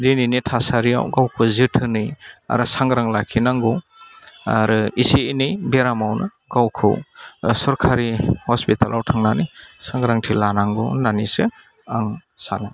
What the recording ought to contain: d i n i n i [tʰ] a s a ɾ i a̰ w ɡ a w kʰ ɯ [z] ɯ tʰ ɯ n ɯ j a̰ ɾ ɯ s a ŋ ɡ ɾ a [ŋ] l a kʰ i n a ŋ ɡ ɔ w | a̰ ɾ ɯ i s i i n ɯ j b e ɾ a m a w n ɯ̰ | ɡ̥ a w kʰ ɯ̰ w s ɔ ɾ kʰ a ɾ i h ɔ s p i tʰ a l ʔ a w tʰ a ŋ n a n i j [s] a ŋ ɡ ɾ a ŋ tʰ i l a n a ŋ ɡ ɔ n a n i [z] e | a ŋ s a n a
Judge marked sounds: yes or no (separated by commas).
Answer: yes, yes, yes, yes, no